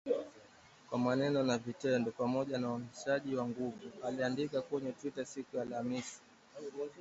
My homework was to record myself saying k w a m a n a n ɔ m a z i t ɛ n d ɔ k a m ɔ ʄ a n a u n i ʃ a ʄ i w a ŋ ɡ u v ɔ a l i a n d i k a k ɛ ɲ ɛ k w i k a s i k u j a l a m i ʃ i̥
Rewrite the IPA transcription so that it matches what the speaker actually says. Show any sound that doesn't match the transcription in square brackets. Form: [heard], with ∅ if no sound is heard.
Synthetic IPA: k w a m a n [ɛ] n ɔ [n] a [v] i t ɛ n d ɔ [p] a m ɔ ʄ a n a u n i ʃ a ʄ i w a ŋ ɡ u v [u] a l i a n d i k a k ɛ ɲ ɛ [t] w i [t] a s i k u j a l a m i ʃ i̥